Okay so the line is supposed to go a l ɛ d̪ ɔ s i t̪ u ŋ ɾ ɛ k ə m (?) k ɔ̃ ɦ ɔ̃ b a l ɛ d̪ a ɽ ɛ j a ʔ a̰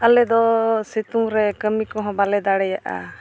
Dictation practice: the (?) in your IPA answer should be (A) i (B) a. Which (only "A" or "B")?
A